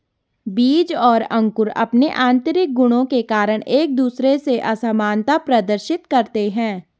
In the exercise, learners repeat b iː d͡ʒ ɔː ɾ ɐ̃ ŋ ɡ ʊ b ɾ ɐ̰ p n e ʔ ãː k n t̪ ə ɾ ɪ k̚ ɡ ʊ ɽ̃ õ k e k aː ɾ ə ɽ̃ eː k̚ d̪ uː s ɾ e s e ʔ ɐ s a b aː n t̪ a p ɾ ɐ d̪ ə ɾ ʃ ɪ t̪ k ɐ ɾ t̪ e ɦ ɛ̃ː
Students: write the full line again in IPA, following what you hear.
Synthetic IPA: b iː d͡ʒ ɔː ɾ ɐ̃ ŋ k ʊ ɾ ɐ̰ p n e ʔ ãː n t̪ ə ɾ ɪ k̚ ɡ ʊ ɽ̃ õ k e k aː ɾ ə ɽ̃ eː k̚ d̪ uː s ɾ e s e ʔ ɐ s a m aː n t̪ a p ɾ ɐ d̪ ə ɾ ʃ ɪ t̪ k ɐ ɾ t̪ e ɦ ɛ̃ː